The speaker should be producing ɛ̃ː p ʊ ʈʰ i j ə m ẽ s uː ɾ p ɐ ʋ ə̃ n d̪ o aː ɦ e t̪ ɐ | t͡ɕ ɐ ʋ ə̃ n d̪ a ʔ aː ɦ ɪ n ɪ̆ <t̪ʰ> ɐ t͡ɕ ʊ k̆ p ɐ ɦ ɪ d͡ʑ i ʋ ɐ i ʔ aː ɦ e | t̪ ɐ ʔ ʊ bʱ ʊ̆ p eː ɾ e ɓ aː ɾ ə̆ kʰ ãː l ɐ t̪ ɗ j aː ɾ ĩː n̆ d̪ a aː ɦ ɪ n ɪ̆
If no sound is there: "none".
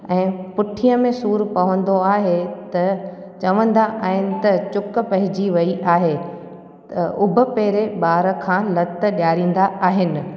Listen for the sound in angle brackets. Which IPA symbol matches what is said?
t̪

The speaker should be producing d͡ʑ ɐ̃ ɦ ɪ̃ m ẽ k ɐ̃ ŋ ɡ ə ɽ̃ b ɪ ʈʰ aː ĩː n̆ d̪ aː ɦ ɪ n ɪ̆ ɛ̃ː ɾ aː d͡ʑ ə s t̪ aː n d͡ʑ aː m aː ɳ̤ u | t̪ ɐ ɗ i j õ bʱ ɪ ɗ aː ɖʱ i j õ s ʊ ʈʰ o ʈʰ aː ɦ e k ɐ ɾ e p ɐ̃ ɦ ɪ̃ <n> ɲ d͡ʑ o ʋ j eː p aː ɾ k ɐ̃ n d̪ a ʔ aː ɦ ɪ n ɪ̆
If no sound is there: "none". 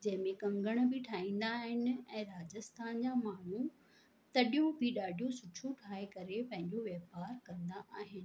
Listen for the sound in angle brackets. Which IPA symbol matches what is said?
none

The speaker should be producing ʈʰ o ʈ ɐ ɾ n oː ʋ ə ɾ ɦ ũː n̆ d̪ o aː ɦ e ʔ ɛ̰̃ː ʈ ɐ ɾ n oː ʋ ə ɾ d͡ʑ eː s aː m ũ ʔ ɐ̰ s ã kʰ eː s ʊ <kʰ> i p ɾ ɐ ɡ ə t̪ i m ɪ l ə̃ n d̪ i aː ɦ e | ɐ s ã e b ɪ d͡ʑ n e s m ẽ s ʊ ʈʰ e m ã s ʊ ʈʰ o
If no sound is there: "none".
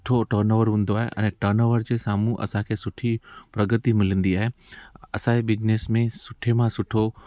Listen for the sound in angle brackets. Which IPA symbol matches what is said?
ʈʰ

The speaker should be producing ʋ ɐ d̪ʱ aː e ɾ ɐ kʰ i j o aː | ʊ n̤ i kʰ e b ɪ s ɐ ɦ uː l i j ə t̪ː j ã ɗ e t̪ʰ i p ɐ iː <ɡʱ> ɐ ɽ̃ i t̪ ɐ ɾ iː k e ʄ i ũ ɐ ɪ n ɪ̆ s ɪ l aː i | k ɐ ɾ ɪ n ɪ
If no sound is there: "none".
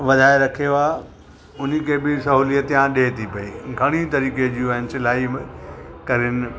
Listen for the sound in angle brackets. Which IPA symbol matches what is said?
ɡʱ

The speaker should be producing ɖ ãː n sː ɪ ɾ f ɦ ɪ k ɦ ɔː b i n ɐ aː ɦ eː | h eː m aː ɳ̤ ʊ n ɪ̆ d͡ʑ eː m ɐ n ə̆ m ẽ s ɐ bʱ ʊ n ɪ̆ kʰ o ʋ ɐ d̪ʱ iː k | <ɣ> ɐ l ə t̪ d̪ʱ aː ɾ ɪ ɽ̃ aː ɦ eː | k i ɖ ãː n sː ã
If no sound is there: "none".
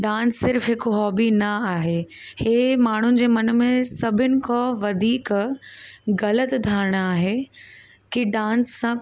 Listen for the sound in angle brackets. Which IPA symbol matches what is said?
ɣ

